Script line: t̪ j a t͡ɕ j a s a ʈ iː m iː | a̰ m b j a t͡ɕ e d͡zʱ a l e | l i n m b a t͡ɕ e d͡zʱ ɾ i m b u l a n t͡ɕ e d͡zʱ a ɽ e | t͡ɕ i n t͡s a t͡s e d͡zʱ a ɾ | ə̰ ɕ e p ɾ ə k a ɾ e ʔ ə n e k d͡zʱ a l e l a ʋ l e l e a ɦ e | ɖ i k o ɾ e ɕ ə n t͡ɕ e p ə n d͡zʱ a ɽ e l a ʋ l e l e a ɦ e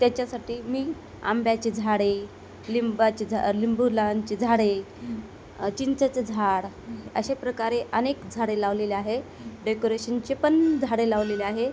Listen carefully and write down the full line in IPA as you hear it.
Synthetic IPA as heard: t̪ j a t͡ɕ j a s a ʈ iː m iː | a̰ m b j a t͡ɕ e d͡zʱ a ɽ e | l i m b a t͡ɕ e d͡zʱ l i m b u l a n t͡ɕ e d͡zʱ a ɽ e | t͡ɕ i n t͡s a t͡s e d͡zʱ a ɽ | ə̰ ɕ e p ɾ ə k a ɾ e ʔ ə n e k d͡zʱ a ɽ e l a ʋ l e l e a ɦ e | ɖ e k o ɾ e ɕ ə n t͡ɕ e p ə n d͡zʱ a ɽ e l a ʋ l e l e a ɦ e